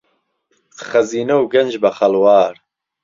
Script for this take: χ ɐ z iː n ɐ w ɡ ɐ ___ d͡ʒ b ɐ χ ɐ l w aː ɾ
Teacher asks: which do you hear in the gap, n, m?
n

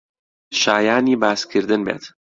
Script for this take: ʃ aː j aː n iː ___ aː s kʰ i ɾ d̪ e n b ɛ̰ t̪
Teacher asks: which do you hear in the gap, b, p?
b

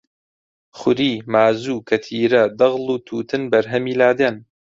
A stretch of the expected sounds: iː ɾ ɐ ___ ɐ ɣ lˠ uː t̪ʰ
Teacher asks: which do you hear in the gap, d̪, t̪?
d̪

